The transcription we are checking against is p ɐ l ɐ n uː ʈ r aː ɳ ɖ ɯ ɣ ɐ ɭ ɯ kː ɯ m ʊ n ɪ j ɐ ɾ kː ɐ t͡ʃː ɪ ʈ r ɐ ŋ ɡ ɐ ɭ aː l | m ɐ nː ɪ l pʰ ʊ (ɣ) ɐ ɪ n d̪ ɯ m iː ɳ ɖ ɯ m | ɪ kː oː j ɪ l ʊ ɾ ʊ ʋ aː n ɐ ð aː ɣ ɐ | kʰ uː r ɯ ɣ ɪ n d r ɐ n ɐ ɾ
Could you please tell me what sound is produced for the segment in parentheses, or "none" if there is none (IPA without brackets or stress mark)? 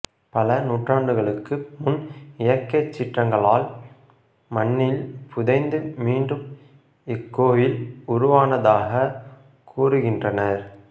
ð